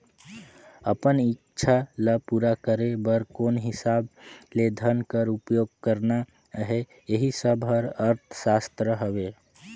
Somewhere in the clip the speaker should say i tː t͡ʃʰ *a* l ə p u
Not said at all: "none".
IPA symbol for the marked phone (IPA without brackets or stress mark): a